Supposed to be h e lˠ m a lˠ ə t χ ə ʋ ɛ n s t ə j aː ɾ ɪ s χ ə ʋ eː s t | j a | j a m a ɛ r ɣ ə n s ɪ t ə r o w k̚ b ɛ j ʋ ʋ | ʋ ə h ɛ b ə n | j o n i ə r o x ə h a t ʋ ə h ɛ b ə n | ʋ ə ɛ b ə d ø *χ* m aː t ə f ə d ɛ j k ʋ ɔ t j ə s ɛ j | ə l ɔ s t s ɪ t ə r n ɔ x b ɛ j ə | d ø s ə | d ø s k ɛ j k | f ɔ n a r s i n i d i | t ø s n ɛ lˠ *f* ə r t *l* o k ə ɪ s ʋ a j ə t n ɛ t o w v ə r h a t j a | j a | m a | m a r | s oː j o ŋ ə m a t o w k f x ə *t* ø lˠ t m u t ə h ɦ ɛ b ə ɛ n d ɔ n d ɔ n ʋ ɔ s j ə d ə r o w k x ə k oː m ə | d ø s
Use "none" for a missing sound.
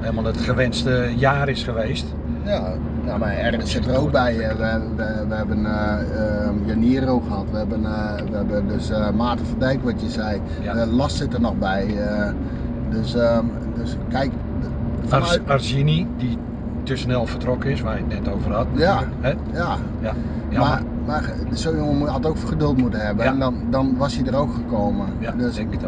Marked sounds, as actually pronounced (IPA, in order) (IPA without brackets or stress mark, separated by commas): s, f, r, d